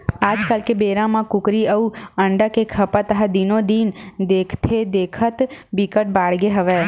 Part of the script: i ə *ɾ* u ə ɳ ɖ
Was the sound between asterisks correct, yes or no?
no